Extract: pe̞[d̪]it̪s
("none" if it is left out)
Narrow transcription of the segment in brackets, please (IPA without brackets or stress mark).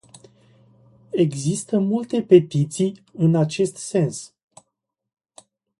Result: t̪